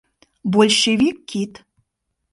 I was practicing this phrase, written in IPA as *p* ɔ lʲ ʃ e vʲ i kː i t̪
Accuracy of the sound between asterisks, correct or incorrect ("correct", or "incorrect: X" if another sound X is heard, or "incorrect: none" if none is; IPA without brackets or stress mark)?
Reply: incorrect: b